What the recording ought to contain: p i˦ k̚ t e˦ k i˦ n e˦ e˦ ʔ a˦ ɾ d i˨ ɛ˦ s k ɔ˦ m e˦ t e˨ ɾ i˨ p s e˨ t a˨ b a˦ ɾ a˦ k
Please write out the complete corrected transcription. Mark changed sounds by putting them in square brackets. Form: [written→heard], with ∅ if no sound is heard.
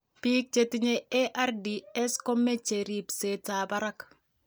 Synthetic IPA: p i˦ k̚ [t→t͡ʃ] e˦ [k→t] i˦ [n→ɲ] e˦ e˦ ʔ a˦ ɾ d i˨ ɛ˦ s k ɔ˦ m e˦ [t→t͡ʃ] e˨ ɾ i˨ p s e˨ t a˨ b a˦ ɾ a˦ k

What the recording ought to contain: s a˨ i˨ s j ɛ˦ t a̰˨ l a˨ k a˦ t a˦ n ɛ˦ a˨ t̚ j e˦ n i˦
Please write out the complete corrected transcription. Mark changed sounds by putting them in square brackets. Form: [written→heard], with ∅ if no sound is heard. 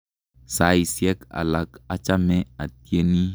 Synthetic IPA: s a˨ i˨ s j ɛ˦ [t→k] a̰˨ l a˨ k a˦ [t→t͡ʃ] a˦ [n→m] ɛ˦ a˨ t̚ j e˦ n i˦

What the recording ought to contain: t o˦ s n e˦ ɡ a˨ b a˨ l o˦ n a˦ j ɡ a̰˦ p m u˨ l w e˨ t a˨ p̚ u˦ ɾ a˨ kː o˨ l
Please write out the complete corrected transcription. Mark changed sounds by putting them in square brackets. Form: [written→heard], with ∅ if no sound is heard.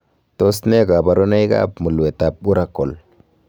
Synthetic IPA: t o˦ s n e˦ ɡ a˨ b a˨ [l→ɾ] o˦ n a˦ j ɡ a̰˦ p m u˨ l w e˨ t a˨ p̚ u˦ ɾ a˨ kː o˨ l

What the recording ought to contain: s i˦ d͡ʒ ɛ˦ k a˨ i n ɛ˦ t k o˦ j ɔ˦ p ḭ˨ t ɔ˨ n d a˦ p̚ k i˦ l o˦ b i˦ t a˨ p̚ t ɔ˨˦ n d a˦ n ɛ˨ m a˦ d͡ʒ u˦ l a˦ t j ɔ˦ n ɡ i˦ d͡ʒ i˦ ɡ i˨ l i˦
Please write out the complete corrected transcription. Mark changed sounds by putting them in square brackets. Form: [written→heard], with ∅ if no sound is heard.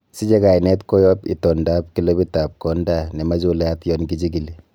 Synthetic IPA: s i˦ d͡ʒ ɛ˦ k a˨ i n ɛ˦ t k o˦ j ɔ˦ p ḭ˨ t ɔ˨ n d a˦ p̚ k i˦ l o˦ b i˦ t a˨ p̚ [t→k] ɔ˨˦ n d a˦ n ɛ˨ m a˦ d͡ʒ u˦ l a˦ t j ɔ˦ n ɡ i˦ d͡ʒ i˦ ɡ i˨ l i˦

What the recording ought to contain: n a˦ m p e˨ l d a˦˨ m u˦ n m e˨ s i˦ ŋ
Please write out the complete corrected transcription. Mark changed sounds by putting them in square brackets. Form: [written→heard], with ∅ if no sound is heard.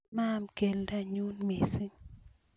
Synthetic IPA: [n→m] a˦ m [p→k] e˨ l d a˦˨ [m→ɲ] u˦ n m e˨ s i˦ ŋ

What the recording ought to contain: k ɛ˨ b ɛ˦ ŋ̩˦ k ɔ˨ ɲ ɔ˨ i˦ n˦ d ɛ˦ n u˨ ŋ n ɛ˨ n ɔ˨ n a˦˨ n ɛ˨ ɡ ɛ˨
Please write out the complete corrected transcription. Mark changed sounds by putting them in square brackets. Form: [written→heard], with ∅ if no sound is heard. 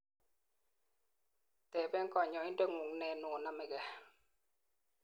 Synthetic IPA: [k→t] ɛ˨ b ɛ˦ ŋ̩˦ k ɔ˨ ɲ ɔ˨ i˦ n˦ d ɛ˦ [n→ŋ] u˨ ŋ n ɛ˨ n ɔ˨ n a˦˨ [n→m] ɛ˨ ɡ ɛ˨

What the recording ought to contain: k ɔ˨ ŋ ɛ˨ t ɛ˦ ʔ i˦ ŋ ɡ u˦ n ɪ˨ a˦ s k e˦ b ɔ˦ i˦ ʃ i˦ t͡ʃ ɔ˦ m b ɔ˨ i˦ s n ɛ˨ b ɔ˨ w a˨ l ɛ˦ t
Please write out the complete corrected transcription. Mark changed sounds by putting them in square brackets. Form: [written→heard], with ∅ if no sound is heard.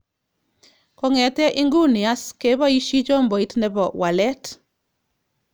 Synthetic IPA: k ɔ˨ ŋ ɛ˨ t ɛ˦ ʔ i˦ ŋ ɡ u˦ n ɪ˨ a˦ s k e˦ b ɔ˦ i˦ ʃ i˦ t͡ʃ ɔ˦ m b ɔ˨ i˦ [s→t] n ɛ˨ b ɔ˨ w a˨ l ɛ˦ t

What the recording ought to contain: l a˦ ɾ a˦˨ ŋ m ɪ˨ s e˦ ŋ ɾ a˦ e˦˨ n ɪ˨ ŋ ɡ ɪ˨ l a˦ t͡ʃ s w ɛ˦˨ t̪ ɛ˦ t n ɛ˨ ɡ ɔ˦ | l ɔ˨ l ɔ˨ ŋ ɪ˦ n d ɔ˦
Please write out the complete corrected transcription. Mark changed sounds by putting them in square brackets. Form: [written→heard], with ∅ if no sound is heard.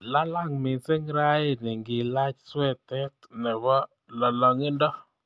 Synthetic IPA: l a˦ [ɾ→l] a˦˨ ŋ m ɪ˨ s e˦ ŋ ɾ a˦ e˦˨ n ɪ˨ ŋ ɡ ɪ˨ l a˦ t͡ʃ s w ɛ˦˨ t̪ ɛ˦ t n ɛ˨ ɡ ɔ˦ | l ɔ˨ l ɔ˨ ŋ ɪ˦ n d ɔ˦

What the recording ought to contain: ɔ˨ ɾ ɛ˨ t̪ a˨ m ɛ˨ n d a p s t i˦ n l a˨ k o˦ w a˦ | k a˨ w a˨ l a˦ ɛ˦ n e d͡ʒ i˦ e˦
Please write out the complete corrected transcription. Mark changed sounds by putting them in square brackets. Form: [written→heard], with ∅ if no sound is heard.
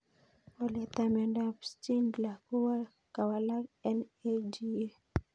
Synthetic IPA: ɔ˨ [ɾ→l] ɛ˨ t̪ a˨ m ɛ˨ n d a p s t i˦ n l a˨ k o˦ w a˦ | k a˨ w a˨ l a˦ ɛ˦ n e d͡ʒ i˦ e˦

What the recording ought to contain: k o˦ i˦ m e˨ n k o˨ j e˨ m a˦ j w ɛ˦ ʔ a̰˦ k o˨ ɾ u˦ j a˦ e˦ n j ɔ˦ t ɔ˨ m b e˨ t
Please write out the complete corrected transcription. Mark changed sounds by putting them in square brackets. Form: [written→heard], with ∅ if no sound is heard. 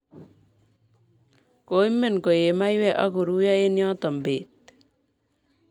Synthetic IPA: k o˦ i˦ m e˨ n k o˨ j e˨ m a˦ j w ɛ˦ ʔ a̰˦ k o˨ ɾ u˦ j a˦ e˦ n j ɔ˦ t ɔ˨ m b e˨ t

